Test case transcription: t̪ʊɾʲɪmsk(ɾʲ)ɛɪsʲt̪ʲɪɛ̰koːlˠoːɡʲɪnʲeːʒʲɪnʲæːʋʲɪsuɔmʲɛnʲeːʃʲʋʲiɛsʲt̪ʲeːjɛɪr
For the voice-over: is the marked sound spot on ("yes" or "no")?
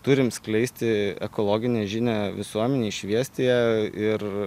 no